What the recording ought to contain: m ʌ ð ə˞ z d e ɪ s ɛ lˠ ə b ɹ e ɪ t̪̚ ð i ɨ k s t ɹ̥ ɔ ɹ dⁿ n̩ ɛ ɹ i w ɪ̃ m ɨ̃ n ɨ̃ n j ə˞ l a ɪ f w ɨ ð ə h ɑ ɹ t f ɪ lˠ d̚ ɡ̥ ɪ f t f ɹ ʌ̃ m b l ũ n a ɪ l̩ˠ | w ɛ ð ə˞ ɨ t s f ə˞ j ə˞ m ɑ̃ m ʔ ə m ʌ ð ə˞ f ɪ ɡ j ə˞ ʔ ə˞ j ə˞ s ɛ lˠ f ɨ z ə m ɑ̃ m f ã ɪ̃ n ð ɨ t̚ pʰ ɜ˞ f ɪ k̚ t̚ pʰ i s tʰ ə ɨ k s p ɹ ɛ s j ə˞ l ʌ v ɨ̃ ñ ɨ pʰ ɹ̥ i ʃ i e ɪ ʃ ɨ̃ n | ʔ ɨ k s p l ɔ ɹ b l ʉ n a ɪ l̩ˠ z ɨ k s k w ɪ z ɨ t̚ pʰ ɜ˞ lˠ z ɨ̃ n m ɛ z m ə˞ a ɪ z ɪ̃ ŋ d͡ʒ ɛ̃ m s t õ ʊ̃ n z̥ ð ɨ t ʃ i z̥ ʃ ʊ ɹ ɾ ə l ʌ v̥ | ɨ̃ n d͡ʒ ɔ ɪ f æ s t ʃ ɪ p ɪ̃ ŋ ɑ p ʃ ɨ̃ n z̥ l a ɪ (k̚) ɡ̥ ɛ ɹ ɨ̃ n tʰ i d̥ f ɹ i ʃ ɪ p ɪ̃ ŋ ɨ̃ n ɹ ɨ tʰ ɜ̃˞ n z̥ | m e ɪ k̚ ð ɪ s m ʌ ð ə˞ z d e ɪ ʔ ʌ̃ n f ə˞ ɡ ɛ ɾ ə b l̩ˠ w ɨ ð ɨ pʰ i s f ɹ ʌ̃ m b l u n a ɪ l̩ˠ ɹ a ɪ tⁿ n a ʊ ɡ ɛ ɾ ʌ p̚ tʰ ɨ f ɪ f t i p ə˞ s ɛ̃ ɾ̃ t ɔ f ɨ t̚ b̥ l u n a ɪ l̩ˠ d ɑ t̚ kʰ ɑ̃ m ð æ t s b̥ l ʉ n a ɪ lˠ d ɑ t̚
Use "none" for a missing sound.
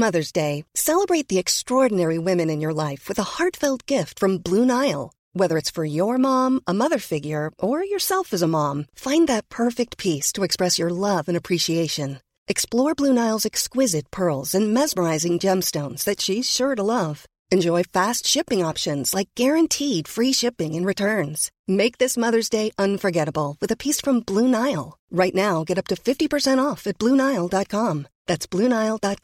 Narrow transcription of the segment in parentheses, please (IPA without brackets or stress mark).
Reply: k̚